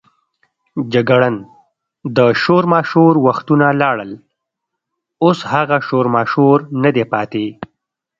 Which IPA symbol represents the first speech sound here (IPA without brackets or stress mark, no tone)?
d͡ʒ